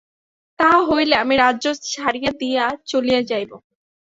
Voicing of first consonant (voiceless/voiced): voiceless